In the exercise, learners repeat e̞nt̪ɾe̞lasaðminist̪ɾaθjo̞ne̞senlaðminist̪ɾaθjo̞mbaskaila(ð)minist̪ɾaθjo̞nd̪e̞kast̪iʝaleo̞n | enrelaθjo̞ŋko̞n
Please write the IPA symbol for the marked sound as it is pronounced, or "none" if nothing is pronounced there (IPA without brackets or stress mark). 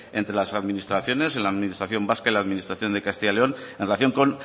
ð